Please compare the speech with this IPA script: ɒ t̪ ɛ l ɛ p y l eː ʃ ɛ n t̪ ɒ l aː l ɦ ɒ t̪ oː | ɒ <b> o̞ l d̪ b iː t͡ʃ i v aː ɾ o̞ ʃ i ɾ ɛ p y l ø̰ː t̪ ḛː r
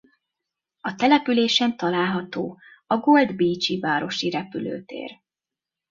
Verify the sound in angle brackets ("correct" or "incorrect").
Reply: incorrect